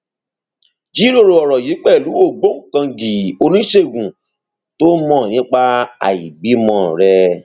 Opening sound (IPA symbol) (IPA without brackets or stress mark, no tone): d͡ʒ